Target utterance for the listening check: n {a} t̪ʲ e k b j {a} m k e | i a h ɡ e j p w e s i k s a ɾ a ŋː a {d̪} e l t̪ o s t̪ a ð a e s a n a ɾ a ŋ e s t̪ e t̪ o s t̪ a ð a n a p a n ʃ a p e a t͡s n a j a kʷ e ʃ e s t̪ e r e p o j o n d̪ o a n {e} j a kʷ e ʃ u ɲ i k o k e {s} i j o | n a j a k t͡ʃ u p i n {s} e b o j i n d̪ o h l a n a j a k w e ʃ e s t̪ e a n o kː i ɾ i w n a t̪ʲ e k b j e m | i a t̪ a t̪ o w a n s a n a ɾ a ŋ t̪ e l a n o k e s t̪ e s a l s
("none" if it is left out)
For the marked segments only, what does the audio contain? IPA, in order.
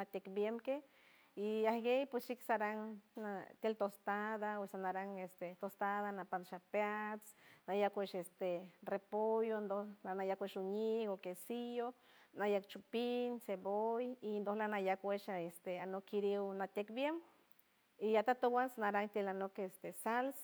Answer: a, e, t̪, a, s, s

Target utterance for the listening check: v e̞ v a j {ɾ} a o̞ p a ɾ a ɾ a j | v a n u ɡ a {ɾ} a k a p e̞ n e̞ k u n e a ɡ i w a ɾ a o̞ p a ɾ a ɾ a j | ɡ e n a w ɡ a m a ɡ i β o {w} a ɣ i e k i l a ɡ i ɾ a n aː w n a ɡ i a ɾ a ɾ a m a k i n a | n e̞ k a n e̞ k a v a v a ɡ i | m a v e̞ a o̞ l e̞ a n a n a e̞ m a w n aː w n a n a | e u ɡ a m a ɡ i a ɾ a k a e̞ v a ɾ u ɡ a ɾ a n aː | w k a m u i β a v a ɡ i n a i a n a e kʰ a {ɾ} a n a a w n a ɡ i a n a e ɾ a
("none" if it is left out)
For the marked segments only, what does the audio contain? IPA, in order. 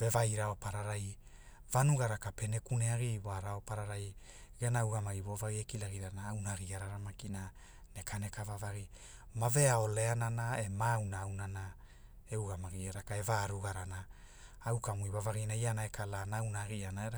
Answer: ɾ, ɾ, v, l

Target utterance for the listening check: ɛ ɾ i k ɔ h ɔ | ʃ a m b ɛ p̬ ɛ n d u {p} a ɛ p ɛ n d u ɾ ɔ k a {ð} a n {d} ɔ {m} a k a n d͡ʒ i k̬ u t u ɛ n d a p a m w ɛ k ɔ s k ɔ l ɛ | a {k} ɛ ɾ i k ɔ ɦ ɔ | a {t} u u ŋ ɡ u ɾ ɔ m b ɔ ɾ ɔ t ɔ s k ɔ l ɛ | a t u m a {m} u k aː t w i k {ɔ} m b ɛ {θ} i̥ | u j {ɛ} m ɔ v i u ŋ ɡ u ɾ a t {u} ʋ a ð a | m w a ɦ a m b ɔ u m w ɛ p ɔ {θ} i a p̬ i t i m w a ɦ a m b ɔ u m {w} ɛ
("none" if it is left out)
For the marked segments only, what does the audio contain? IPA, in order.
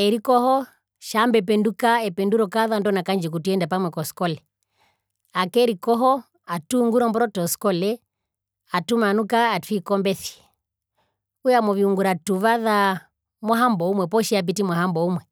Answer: k, ð, d, n, k, t, n, ɔ, θ, a, u, ʃ, w

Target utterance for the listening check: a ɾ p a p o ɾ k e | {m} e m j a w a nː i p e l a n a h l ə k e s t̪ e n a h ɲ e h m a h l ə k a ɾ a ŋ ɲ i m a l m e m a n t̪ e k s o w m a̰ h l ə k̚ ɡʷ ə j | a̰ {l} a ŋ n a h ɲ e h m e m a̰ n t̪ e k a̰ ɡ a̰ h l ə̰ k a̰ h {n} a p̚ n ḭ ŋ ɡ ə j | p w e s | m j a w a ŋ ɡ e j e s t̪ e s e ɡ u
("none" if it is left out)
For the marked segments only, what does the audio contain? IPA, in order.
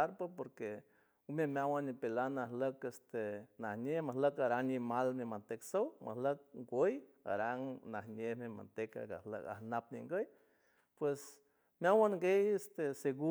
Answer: m, ɾ, n

